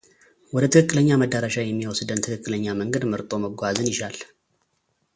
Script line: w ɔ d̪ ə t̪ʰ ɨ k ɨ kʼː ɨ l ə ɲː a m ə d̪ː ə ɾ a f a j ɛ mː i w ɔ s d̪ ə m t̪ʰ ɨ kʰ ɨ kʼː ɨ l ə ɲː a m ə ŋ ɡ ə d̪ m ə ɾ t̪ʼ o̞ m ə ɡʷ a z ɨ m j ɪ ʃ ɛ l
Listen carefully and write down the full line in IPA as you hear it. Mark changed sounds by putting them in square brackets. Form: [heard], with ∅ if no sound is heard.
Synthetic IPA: w ɔ d̪ ə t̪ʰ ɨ k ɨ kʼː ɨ l ə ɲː a m ə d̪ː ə ɾ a [ʃ] a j ɛ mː i w ɔ s d̪ ə [n] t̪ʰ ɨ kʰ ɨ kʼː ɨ l ə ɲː a m ə ŋ ɡ ə d̪ m ə ɾ t̪ʼ o̞ m ə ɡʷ a z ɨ [n] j ɪ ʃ [a] l